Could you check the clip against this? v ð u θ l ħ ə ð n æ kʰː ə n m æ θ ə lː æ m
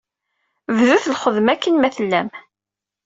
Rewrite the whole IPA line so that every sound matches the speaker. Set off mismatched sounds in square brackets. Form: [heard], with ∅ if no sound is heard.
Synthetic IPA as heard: v ð u θ l [χ] ə ð [m] æ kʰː ə n m æ θ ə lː æ m